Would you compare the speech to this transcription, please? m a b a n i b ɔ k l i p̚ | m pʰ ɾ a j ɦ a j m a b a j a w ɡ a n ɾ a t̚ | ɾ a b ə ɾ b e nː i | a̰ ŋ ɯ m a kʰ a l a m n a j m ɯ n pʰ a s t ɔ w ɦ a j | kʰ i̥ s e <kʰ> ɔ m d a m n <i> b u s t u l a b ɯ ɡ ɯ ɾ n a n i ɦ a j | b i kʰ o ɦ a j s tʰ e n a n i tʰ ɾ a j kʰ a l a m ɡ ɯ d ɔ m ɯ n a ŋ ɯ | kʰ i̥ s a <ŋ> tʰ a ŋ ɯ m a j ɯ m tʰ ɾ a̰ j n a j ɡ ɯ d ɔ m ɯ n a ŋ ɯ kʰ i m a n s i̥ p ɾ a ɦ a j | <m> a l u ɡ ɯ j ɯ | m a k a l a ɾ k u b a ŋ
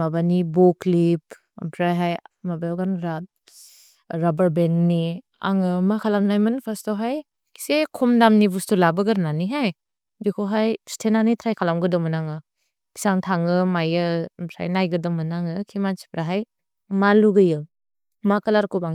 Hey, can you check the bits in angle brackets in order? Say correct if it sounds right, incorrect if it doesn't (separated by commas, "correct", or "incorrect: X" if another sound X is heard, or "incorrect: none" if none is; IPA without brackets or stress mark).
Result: correct, correct, correct, correct